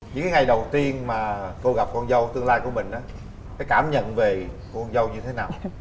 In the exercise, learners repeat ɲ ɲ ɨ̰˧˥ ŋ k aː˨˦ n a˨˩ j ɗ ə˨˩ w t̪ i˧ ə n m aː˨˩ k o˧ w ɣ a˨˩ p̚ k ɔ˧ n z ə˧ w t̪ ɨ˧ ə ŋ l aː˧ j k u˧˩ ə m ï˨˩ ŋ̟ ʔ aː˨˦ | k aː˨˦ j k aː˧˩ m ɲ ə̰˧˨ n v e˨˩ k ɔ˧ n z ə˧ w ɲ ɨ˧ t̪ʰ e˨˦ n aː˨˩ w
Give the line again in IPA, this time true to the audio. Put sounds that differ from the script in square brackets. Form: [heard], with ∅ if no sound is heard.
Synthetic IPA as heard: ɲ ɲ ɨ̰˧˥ ŋ k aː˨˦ [ŋ] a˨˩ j ɗ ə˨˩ w t̪ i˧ ə n m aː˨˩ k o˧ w ɣ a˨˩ p̚ k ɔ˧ n z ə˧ w t̪ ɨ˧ ə ŋ l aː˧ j k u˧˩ ə m ï˨˩ ŋ̟ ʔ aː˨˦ | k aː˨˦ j k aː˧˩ m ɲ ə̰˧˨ n v e˨˩ k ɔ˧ n z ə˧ w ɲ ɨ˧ t̪ʰ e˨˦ n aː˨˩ w